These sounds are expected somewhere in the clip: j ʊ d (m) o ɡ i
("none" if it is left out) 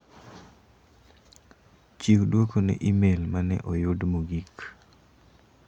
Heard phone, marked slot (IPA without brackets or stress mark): m